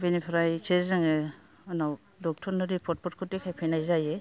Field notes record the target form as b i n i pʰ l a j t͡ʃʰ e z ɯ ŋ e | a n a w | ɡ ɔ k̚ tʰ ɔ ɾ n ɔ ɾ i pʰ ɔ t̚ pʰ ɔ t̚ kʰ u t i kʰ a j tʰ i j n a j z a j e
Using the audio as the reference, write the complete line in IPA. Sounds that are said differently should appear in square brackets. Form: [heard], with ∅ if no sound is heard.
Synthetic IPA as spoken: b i n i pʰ [ɾ] a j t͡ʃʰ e z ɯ ŋ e | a n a w | [d] ɔ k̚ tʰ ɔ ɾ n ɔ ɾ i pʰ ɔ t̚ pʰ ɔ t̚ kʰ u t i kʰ a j [pʰ] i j n a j z a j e